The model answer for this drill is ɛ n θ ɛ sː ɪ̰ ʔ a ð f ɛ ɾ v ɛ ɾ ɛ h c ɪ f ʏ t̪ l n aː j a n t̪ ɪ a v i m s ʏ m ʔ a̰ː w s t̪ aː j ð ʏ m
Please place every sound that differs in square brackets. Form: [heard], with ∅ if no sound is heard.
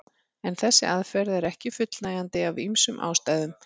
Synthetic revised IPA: ɛ n θ ɛ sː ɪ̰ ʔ a ð f ɛ ɾ [ð] ɛ ɾ ɛ h c ɪ f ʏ t̪ l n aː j a n t̪ ɪ a v i m s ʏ m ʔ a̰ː w s t̪ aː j ð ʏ m